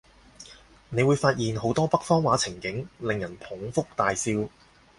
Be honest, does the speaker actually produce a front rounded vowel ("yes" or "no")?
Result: no